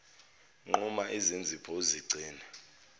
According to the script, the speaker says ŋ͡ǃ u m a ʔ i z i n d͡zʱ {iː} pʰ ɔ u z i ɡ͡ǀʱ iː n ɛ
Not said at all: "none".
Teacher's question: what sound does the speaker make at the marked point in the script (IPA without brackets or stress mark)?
i